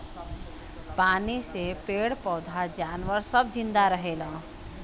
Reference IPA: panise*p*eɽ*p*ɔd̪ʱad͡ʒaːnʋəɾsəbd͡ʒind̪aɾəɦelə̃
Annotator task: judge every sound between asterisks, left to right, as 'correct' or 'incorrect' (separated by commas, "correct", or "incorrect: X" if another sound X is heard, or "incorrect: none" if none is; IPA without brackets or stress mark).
correct, correct